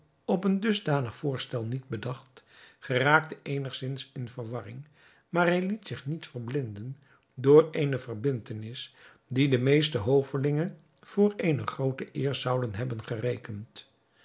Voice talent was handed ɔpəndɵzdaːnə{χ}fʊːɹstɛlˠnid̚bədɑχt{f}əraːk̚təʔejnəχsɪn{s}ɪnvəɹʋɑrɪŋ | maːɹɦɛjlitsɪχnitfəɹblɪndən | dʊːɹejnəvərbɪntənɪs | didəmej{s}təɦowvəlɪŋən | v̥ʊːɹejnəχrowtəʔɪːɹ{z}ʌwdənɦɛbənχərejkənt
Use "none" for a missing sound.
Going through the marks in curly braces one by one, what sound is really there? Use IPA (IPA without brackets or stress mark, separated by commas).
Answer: χ, χ, s, s, z